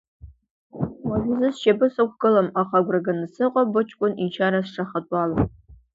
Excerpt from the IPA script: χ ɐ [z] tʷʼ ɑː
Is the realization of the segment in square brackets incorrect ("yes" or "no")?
yes